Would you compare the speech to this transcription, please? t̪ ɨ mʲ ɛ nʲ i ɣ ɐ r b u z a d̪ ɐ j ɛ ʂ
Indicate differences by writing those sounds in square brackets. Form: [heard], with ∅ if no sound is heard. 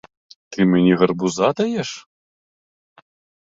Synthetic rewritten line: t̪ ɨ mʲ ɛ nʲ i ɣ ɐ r b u z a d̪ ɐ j ɛ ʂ

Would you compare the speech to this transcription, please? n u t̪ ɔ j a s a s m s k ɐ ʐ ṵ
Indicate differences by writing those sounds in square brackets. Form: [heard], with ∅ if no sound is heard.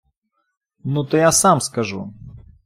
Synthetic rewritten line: n u t̪ ɔ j a s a [∅] m s k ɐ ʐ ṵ

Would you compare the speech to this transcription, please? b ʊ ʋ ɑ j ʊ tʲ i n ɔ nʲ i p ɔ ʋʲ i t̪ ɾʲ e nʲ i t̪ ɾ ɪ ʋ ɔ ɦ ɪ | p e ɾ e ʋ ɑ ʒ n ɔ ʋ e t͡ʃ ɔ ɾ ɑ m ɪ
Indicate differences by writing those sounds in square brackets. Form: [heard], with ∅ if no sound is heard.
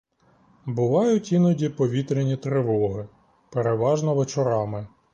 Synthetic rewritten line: b ʊ ʋ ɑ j ʊ tʲ i n ɔ [dʲ] i p ɔ ʋʲ i t̪ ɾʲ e nʲ i t̪ ɾ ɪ ʋ ɔ ɦ ɪ | p e ɾ e ʋ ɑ ʒ n ɔ ʋ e t͡ʃ ɔ ɾ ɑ m ɪ

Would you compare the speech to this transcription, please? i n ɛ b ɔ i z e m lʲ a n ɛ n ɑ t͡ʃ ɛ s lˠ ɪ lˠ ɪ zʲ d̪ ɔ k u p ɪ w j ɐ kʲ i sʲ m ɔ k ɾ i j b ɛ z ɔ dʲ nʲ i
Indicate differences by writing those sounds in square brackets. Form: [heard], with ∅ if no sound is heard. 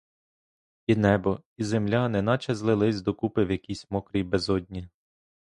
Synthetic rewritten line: i n ɛ b ɔ i z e m lʲ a n ɛ n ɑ t͡ʃ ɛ [z] lˠ ɪ lˠ ɪ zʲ d̪ ɔ k u p ɪ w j ɐ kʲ i sʲ m ɔ k ɾ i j b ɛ z ɔ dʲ nʲ i

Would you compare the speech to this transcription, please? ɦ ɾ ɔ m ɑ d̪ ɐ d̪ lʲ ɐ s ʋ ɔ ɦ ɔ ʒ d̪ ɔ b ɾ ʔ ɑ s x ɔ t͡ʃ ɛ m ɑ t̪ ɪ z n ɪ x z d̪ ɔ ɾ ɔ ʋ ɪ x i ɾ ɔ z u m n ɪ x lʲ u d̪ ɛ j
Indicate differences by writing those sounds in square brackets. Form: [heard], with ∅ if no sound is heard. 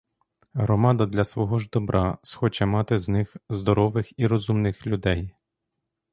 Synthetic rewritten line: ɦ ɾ ɔ m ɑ d̪ ɐ d̪ lʲ ɐ s ʋ ɔ ɦ ɔ ʒ d̪ ɔ b ɾ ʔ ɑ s x ɔ t͡ʃ ɛ m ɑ t̪ ɪ z n ɪ x z d̪ ɔ ɾ ɔ ʋ ɪ x i ɾ ɔ z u m n ɪ x lʲ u d̪ ɛ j

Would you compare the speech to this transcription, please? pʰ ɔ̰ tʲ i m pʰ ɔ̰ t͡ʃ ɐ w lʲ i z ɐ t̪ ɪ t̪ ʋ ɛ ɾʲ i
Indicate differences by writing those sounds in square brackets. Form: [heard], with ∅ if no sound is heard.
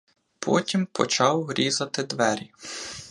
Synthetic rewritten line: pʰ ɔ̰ tʲ i m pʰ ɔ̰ t͡ʃ [ɑ] w [ɾʲ] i z ɐ t̪ ɪ [d̪] ʋ ɛ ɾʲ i

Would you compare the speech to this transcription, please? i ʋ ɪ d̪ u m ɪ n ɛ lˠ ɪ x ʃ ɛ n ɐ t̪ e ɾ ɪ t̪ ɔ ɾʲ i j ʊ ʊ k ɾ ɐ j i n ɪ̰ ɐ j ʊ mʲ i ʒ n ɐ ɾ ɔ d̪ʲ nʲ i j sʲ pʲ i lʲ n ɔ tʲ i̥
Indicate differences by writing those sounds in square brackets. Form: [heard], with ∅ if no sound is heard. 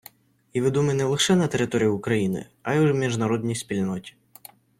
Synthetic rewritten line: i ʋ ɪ d̪ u m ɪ n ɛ lˠ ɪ x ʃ ɛ n ɐ t̪ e ɾ ɪ t̪ ɔ ɾʲ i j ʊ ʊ k ɾ ɐ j i n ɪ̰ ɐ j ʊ mʲ i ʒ n ɐ ɾ ɔ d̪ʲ nʲ i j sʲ pʲ i lʲ n ɔ tʲ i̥

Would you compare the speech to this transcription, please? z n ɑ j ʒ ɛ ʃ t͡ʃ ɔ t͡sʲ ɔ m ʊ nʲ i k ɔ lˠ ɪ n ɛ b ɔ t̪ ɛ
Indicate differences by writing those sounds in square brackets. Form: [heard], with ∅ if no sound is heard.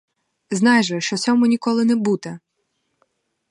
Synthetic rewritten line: z n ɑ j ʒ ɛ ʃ t͡ʃ ɔ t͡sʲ ɔ m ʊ nʲ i k ɔ lˠ ɪ n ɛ b [u] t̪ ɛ

